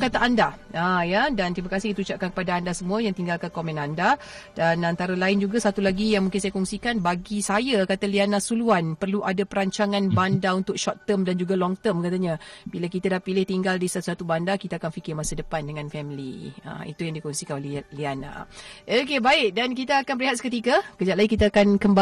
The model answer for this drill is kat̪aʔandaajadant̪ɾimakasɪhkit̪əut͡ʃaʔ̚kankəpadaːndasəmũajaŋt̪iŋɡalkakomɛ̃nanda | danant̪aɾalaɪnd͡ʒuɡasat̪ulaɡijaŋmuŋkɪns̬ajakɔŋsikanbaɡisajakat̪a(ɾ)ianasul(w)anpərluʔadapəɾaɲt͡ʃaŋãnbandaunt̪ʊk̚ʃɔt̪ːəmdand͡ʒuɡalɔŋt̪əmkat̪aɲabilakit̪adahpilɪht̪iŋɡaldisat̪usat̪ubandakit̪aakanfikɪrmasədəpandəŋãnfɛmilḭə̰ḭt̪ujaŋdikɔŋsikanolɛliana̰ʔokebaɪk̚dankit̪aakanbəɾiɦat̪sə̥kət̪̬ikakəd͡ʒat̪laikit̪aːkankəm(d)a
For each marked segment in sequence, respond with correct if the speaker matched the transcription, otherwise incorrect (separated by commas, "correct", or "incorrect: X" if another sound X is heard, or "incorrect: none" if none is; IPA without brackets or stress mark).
incorrect: l, incorrect: u, incorrect: b